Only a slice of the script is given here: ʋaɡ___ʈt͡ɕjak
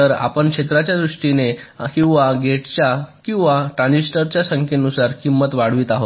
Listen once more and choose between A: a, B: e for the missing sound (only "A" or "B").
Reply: B